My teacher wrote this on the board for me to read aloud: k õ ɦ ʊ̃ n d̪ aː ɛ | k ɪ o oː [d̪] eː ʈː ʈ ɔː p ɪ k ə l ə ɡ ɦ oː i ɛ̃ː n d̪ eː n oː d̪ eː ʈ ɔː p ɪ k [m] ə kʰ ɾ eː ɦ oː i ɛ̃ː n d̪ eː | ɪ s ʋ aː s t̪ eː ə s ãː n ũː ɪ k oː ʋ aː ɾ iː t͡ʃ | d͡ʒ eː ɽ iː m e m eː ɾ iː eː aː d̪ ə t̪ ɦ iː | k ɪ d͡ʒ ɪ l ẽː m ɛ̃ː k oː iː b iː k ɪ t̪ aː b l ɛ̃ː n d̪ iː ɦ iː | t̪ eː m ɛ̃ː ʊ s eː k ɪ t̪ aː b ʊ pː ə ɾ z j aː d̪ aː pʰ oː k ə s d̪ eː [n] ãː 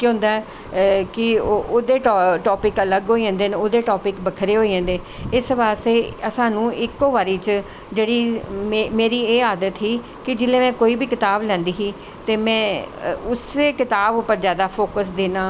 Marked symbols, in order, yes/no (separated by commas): yes, no, yes